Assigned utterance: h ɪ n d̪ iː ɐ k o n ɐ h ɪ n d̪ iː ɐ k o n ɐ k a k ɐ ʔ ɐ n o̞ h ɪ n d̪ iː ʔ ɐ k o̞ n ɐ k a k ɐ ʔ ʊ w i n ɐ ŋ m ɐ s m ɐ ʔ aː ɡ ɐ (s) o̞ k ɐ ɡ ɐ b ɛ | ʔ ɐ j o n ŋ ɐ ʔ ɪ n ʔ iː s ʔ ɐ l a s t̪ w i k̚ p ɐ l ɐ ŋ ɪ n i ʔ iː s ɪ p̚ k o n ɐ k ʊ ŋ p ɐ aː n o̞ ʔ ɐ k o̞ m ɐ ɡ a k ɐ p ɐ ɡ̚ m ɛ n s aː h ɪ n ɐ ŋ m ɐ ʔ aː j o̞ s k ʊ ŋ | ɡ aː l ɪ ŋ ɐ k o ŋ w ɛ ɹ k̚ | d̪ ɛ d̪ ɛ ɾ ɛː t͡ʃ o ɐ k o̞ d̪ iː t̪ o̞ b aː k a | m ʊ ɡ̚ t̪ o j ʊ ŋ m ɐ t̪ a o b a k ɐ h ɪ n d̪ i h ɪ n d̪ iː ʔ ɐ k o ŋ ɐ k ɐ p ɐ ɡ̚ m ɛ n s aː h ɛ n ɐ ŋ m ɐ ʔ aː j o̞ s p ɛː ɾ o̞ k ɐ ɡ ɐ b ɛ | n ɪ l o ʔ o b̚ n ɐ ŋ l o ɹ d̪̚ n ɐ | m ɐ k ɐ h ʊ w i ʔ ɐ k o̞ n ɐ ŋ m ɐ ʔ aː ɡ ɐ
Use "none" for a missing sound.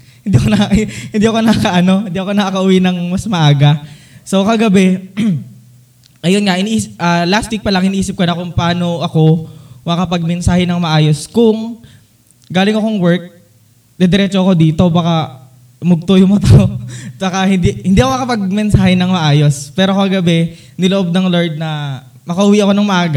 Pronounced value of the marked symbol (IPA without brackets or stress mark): s